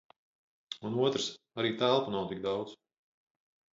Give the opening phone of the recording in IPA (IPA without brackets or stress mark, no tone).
u